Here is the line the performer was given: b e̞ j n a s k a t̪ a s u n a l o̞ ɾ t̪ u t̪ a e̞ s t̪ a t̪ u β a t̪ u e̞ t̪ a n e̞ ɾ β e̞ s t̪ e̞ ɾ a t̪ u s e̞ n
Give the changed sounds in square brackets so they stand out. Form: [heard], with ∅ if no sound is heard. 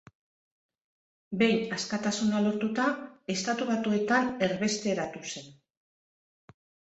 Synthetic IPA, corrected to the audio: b e̞ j n a s k a t̪ a s u n a l o̞ ɾ t̪ u t̪ a e̞ s t̪ a t̪ u β a t̪ u e̞ t̪ a n e̞ ɾ β e̞ s t̪ e̞ ɾ a t̪ u s e̞ n